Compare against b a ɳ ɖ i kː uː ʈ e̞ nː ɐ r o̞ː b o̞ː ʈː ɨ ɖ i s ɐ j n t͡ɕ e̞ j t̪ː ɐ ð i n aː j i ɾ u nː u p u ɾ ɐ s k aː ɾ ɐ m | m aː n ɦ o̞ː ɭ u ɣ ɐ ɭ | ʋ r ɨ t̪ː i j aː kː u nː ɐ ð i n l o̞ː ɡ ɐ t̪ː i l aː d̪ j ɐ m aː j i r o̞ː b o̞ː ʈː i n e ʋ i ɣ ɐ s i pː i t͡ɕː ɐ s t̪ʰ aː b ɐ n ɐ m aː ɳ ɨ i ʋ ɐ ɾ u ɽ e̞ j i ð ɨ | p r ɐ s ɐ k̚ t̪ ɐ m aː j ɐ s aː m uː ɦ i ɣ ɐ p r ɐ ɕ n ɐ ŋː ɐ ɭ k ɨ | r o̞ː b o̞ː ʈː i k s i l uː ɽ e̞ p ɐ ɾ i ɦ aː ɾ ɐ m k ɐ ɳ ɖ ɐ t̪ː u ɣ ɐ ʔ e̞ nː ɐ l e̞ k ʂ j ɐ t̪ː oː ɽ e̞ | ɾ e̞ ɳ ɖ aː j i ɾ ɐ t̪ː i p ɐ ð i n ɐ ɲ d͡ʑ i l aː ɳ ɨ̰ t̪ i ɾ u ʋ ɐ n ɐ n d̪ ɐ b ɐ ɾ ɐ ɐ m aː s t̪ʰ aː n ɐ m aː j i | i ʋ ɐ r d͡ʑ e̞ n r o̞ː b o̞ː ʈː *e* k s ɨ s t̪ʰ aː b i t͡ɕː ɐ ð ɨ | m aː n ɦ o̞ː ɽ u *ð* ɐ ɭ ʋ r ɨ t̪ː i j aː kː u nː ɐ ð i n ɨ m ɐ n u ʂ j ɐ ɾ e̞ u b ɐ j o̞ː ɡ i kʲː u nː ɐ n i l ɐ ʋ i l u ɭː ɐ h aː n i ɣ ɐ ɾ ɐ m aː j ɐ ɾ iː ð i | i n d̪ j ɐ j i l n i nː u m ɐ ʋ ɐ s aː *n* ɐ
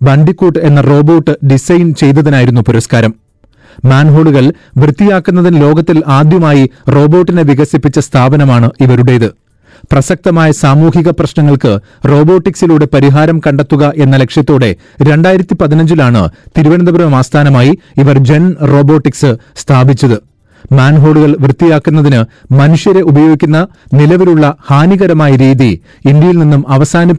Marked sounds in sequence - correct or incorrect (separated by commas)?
incorrect, incorrect, correct